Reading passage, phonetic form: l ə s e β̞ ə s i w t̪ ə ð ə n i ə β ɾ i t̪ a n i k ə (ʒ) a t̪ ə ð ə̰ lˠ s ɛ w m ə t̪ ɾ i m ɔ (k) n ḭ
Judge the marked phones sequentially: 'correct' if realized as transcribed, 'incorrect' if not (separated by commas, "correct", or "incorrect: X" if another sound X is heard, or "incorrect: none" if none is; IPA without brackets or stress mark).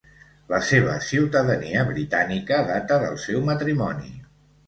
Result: incorrect: ð, incorrect: none